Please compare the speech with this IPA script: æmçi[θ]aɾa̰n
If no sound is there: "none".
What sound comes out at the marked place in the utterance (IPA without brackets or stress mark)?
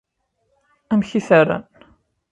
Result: θ